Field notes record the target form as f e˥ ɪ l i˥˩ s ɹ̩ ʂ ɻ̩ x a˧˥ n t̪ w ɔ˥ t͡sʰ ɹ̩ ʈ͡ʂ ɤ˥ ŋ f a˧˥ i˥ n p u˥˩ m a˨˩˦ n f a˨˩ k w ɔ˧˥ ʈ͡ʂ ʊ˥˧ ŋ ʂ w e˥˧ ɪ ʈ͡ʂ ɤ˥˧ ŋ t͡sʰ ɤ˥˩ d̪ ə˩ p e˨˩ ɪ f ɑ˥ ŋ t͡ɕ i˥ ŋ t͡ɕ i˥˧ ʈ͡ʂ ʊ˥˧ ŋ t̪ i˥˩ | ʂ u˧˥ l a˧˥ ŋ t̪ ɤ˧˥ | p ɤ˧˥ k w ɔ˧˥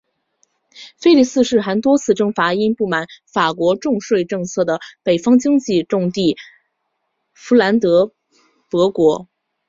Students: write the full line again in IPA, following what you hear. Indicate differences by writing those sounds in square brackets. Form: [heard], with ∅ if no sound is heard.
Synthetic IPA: f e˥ ɪ l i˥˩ s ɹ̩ ʂ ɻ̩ x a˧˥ n t̪ w ɔ˥ t͡sʰ ɹ̩ ʈ͡ʂ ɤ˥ ŋ f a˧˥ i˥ n p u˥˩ m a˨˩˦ n f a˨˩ k w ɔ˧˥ ʈ͡ʂ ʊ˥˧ ŋ ʂ w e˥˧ ɪ ʈ͡ʂ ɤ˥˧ ŋ t͡sʰ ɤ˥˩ d̪ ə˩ p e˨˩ ɪ f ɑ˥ ŋ t͡ɕ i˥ ŋ t͡ɕ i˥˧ ʈ͡ʂ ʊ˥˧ ŋ t̪ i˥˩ | [f] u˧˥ l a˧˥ [n] t̪ ɤ˧˥ | p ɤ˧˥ k w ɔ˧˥